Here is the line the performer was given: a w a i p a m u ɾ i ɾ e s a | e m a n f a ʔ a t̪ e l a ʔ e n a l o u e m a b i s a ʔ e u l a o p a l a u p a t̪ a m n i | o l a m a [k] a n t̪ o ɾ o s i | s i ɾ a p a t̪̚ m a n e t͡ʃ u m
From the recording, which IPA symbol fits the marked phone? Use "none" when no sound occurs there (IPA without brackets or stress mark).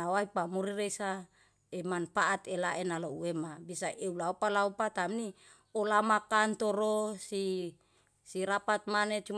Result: k